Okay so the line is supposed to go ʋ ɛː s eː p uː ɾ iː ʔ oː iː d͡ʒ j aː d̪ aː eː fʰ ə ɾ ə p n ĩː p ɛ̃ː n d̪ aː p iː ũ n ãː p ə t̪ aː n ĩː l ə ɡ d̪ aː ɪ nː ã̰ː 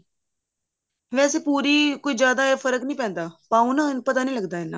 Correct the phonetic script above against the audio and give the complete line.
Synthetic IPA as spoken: ʋ ɛː s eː p uː ɾ iː k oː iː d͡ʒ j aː d̪ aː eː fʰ ə ɾ ə k n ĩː p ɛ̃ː n d̪ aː p aː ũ n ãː p ə t̪ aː n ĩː l ə ɡ d̪ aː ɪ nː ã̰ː